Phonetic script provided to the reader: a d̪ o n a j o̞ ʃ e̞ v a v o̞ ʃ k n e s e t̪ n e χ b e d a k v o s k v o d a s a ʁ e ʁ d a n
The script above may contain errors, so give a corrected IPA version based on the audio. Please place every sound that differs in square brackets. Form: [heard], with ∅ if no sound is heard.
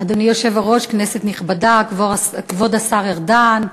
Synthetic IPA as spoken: a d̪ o n [i] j o̞ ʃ e̞ v a [ʁ] o̞ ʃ k n e s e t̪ n [i] χ b [a] d a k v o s k v o d a s a ʁ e ʁ d a n